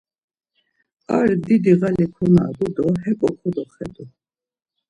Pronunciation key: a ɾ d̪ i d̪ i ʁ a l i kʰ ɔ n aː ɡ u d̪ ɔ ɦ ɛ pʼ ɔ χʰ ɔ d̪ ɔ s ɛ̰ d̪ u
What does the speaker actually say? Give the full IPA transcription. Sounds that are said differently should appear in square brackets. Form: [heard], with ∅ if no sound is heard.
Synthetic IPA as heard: a ɾ d̪ i d̪ i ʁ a l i kʰ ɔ n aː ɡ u d̪ ɔ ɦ ɛ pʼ ɔ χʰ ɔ d̪ ɔ [χ] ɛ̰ d̪ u